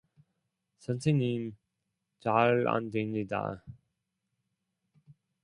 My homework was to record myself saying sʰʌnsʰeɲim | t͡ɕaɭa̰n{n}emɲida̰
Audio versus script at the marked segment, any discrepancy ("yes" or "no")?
yes